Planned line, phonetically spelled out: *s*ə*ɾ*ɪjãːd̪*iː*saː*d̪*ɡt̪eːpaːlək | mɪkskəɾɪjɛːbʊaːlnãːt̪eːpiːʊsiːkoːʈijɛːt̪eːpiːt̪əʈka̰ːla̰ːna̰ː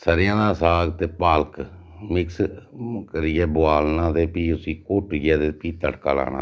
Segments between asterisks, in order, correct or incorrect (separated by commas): correct, correct, incorrect, incorrect